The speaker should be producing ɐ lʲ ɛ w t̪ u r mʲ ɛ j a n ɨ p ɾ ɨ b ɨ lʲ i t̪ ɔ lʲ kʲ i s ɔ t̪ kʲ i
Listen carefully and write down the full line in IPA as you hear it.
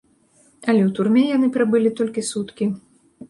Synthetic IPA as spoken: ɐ lʲ ɛ w t̪ u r mʲ ɛ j a n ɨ p ɾ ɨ b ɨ lʲ i t̪ ɔ lʲ kʲ i s u t̪ kʲ i